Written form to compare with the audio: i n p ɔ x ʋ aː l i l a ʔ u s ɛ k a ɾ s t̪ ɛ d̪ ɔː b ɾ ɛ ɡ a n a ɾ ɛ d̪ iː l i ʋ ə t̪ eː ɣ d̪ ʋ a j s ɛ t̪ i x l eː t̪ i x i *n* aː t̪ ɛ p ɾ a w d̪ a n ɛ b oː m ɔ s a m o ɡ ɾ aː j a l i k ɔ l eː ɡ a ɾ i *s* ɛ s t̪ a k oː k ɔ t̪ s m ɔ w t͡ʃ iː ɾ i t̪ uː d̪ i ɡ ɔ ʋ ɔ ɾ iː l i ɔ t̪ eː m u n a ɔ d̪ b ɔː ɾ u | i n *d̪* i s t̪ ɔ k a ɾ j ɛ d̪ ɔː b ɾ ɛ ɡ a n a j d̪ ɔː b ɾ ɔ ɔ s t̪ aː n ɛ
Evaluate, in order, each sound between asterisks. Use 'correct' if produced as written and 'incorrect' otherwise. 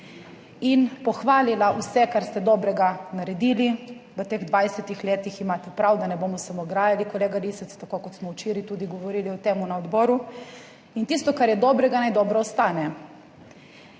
incorrect, correct, incorrect

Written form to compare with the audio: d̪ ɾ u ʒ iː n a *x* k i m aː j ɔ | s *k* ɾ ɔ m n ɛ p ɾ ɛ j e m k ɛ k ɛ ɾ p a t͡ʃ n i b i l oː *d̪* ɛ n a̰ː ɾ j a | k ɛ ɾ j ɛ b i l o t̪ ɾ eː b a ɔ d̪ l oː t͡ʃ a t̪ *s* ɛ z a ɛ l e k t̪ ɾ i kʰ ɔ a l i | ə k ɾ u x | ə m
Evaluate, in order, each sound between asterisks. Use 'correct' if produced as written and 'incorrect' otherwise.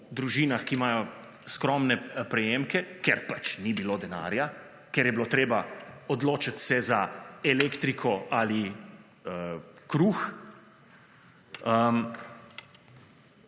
correct, correct, correct, correct

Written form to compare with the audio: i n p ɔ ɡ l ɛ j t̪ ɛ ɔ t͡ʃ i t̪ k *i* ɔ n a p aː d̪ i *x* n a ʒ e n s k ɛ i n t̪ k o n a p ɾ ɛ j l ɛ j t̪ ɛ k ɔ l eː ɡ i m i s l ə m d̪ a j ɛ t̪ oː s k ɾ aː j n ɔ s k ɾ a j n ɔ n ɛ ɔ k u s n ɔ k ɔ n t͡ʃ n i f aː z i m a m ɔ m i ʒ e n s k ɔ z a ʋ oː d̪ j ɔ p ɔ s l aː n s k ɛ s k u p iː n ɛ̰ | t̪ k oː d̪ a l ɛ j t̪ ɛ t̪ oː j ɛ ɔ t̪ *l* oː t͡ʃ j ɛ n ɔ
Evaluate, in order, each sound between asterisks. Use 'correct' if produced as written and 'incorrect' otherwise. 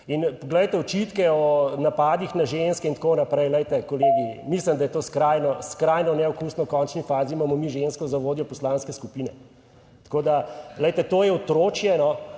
incorrect, correct, incorrect

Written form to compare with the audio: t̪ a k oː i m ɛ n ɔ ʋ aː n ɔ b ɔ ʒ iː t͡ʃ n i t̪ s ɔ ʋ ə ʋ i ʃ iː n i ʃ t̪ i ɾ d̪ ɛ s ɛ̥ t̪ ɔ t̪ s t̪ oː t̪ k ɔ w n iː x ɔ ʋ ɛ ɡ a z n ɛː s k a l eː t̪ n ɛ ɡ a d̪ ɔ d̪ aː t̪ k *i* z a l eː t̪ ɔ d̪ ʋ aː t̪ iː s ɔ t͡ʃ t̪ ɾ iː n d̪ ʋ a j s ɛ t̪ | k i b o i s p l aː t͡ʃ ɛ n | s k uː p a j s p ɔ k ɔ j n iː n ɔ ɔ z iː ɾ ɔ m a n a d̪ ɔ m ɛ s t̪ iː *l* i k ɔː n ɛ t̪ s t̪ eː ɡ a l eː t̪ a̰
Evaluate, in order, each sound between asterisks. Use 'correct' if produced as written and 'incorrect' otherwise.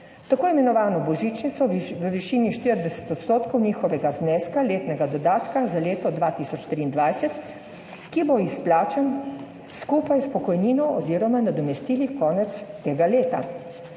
incorrect, correct

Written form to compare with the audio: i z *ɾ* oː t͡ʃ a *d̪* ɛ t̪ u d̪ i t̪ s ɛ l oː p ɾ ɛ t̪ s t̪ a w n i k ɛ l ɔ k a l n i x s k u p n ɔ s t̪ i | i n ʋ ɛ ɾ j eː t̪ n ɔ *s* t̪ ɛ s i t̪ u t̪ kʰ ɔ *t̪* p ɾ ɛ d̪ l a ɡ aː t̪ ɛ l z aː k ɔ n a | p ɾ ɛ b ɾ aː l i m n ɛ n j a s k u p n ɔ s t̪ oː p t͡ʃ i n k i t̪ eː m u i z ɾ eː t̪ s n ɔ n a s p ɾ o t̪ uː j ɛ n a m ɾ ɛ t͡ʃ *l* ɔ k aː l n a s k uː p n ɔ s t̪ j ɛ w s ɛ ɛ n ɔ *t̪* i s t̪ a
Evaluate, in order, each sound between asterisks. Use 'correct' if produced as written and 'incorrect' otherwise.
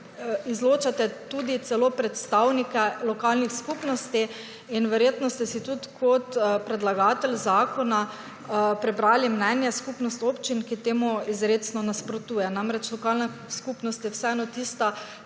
incorrect, incorrect, correct, correct, correct, correct

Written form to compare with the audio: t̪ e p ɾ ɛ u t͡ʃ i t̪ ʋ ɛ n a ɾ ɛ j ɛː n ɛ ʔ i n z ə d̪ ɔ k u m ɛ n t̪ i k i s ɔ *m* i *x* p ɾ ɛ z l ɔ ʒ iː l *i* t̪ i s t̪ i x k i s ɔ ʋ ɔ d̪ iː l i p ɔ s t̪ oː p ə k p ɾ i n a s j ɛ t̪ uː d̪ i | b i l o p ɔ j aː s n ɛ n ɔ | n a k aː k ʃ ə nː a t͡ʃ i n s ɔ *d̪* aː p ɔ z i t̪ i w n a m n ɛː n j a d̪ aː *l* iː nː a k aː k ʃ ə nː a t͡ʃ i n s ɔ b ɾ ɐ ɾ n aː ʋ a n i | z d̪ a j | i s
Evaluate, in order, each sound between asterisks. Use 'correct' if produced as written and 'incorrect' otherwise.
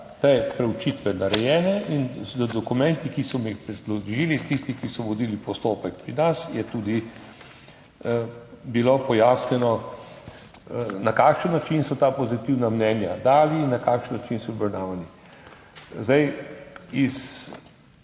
correct, correct, correct, incorrect, correct

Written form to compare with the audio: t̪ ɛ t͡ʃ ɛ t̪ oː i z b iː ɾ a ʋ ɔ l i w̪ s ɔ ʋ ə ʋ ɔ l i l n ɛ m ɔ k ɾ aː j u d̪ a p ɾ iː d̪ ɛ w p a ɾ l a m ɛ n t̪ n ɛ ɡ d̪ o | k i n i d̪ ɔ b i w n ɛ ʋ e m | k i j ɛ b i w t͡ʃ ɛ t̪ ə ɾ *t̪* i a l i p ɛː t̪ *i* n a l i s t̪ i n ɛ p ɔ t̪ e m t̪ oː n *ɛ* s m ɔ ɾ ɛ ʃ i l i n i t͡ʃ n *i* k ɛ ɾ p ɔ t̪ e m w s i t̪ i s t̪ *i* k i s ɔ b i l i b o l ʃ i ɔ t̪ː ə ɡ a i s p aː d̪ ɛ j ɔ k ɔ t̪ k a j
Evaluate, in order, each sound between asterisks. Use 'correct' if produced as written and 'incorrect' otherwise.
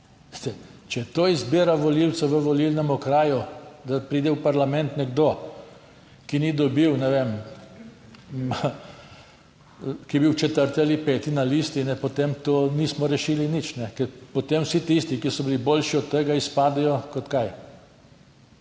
correct, correct, incorrect, incorrect, correct

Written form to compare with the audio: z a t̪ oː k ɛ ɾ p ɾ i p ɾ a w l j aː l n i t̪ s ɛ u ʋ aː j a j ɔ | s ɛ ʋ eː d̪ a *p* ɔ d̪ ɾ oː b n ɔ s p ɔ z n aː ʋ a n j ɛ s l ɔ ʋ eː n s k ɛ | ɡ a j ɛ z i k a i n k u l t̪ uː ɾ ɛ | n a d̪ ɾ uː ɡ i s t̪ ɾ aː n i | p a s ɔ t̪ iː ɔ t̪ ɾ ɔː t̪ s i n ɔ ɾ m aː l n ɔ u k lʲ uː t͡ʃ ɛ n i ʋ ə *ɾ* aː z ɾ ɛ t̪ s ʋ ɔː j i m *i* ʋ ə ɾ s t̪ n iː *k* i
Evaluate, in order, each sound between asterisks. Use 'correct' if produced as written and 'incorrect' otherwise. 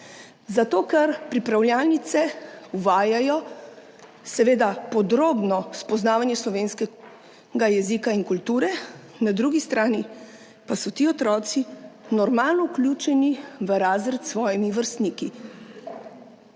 correct, correct, correct, correct

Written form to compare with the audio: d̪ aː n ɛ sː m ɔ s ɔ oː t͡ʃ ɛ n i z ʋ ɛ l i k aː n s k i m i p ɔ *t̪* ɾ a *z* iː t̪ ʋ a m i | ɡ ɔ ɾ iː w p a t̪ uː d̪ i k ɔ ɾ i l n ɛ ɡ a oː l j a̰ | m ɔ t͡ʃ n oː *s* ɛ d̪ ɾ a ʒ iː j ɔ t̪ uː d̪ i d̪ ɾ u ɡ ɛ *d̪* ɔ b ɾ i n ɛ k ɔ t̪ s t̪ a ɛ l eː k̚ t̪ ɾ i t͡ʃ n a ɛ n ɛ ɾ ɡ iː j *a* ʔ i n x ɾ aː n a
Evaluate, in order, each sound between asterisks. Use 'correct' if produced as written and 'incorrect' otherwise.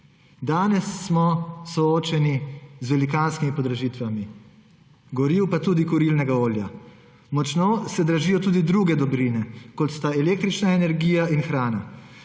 incorrect, incorrect, correct, correct, correct

